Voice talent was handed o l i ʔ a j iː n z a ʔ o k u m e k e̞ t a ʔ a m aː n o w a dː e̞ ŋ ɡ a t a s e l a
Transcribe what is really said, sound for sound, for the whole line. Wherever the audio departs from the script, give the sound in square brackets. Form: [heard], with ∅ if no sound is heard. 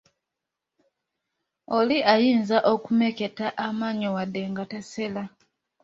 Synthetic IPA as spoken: o l i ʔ a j iː n z a ʔ o k u m e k e̞ t a ʔ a m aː [ɲ] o w a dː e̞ ŋ ɡ a t a s e l a